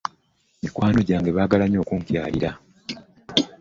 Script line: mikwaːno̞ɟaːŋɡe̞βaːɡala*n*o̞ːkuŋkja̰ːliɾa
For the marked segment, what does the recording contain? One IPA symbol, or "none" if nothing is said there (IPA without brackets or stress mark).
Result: ɲ